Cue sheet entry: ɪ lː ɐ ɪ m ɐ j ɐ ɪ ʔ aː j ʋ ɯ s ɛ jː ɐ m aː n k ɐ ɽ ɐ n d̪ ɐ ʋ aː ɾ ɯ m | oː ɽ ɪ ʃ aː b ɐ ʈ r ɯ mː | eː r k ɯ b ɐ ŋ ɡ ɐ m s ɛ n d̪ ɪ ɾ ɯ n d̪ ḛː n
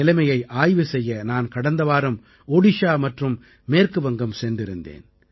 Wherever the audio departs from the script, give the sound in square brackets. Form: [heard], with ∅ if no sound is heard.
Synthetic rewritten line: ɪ [l] ɐ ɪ m ɐ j ɐ ɪ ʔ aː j ʋ ɯ s ɛ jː ɐ [n] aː n k ɐ ɽ ɐ n d̪ ɐ ʋ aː ɾ ɯ m | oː ɽ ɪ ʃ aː [m] ɐ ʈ r ɯ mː | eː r k ɯ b ɐ ŋ ɡ ɐ m s ɛ n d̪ ɪ ɾ ɯ n d̪ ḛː n

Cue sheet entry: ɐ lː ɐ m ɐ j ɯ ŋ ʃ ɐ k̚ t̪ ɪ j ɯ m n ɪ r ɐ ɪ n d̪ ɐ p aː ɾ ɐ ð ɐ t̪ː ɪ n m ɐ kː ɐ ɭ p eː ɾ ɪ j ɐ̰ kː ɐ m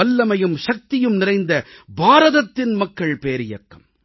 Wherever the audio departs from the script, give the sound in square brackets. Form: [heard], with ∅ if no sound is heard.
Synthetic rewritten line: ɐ lː ɐ m ɐ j ɯ [m] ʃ ɐ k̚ t̪ ɪ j ɯ m n ɪ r ɐ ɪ n d̪ ɐ [b] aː ɾ ɐ ð ɐ t̪ː ɪ n m ɐ kː ɐ ɭ p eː ɾ ɪ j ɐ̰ kː ɐ m

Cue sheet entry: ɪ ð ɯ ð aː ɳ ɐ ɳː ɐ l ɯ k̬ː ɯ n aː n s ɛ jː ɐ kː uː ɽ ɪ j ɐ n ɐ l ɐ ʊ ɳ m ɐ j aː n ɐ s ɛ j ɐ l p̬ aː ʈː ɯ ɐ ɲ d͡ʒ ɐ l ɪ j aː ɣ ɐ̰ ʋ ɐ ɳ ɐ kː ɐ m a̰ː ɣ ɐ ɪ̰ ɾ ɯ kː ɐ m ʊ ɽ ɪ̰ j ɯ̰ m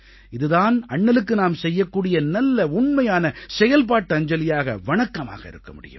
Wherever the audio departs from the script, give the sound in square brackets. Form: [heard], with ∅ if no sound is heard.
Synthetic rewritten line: ɪ ð ɯ ð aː [n] ɐ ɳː ɐ l ɯ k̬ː ɯ n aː [m] s ɛ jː ɐ kː uː ɽ ɪ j ɐ n ɐ [lː] ɐ ʊ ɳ m ɐ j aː n ɐ s ɛ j ɐ l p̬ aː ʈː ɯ ɐ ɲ d͡ʒ ɐ l ɪ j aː ɣ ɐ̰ ʋ ɐ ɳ ɐ kː ɐ m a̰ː ɣ ɐ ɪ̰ ɾ ɯ kː ɐ m ʊ ɽ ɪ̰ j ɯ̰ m

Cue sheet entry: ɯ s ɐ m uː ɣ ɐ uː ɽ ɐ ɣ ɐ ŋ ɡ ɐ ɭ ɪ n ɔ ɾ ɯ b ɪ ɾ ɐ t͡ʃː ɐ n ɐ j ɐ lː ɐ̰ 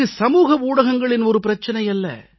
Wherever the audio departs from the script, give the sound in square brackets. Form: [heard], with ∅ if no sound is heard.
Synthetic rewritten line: ɯ s ɐ m uː ɣ ɐ uː ɽ ɐ ɣ ɐ ŋ ɡ ɐ ɭ ɪ n ɔ ɾ ɯ [p] ɪ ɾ ɐ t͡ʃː ɐ n ɐ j ɐ lː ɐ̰

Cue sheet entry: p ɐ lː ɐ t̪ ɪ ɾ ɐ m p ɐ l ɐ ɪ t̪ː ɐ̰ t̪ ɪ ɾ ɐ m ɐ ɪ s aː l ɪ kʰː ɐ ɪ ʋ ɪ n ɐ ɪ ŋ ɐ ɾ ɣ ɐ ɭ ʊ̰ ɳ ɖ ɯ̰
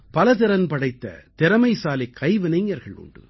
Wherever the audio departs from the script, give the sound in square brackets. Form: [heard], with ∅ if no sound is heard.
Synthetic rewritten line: p ɐ [l] ɐ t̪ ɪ ɾ ɐ [n] p ɐ [ɽ] ɐ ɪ t̪ː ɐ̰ t̪ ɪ ɾ ɐ m ɐ ɪ s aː l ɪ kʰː ɐ ɪ ʋ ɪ n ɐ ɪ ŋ ɐ ɾ ɣ ɐ ɭ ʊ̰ ɳ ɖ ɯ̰

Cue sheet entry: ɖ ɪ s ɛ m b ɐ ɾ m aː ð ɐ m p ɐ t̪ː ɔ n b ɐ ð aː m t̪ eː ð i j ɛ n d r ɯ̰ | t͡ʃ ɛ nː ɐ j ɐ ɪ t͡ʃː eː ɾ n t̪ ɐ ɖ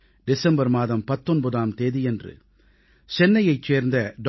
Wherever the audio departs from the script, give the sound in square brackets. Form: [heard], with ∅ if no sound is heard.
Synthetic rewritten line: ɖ ɪ s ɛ m b ɐ ɾ m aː ð ɐ m p ɐ t̪ː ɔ n b ɐ ð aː m t̪ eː ð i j ɛ n d r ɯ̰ | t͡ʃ ɛ nː ɐ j ɐ ɪ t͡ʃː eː ɾ n [d̪] ɐ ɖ

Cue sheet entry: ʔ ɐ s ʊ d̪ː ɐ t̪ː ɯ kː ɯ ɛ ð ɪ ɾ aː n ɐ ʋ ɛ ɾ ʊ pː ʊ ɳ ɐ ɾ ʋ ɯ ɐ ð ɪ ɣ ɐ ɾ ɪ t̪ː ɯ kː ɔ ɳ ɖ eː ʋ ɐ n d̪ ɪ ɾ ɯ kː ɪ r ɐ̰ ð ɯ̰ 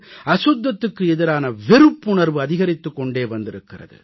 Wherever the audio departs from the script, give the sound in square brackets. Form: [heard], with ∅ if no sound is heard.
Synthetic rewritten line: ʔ ɐ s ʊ d̪ː ɐ t̪ː ɯ kː ɯ ɛ ð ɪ ɾ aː n ɐ ʋ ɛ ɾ [ɯ] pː ʊ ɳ ɐ ɾ ʋ ɯ ɐ ð ɪ ɣ ɐ ɾ ɪ t̪ː ɯ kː ɔ ɳ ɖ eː ʋ ɐ n d̪ ɪ ɾ ɯ kː ɪ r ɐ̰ ð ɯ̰

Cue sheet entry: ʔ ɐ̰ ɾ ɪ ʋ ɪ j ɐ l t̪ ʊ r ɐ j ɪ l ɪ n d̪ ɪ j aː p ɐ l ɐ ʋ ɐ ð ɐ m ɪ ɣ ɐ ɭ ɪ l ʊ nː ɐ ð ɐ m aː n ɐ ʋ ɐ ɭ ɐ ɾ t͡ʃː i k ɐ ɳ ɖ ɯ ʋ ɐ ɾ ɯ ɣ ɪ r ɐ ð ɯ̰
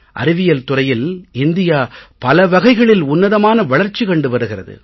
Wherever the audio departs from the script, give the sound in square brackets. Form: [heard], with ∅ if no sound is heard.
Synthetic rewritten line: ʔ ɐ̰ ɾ ɪ ʋ ɪ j ɐ l t̪ ʊ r ɐ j ɪ l ɪ n d̪ ɪ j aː p ɐ l ɐ ʋ ɐ [ɣ] ɐ [∅] ɪ ɣ ɐ ɭ ɪ l ʊ nː ɐ ð ɐ m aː n ɐ ʋ ɐ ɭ ɐ ɾ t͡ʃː i k ɐ ɳ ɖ ɯ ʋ ɐ ɾ ɯ ɣ ɪ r ɐ ð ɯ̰

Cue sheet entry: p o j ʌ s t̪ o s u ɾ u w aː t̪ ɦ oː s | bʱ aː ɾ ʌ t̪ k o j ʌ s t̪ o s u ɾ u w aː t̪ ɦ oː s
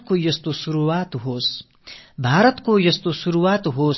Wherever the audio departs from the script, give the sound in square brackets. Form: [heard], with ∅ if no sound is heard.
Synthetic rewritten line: [k] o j ʌ s t̪ o s u ɾ u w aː t̪ ɦ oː s | bʱ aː ɾ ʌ t̪ k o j ʌ s t̪ o s u ɾ u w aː t̪ ɦ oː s

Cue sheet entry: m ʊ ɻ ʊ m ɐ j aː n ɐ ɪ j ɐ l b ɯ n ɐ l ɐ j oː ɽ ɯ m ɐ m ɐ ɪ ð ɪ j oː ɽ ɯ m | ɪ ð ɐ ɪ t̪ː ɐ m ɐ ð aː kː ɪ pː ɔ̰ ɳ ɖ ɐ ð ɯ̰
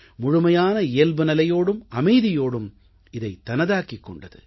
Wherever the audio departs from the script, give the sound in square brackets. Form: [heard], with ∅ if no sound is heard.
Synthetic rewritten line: m ʊ ɻ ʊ m ɐ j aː n ɐ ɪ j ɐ l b ɯ n ɐ l ɐ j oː ɽ ɯ m ɐ m ɐ ɪ ð ɪ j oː ɽ ɯ m | ɪ ð ɐ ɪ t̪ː ɐ [n] ɐ ð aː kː ɪ [kː] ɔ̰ ɳ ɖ ɐ ð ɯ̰

